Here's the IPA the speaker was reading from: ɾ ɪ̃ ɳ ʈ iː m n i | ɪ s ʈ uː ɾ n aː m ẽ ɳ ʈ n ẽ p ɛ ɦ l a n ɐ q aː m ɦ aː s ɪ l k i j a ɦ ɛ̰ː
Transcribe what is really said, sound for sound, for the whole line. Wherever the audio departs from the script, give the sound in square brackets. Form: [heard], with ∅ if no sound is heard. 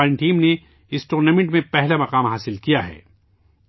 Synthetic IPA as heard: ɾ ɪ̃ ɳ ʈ iː m n [e] | ɪ s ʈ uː ɾ n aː m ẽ ɳ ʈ [m] ẽ p ɛ ɦ l a [m] ɐ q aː m ɦ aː s ɪ l k i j a ɦ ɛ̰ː